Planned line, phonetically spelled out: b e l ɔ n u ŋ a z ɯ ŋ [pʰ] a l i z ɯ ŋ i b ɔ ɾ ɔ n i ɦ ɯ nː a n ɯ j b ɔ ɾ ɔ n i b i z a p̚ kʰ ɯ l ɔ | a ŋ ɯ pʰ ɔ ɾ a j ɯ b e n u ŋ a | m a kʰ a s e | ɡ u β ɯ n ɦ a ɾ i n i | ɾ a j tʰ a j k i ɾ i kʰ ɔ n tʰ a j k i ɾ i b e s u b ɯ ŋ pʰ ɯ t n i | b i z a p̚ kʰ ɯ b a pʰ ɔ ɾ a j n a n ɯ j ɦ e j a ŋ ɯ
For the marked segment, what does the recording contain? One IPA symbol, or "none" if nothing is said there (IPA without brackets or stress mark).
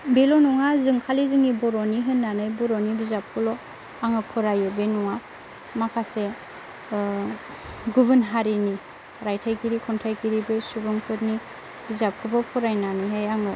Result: kʰ